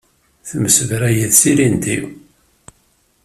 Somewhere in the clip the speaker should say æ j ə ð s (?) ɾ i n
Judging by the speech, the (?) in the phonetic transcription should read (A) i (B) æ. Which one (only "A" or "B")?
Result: A